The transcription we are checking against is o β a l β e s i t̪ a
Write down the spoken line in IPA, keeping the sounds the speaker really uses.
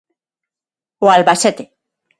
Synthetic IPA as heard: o a l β a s e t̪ e